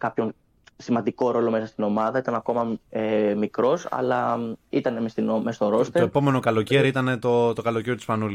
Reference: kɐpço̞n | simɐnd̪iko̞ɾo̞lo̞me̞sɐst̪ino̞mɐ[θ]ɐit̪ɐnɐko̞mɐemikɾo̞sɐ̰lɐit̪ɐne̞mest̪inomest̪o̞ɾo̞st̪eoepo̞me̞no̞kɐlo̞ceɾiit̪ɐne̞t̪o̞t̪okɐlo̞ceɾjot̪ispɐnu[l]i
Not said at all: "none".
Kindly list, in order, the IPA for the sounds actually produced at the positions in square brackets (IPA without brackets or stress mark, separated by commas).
ð, l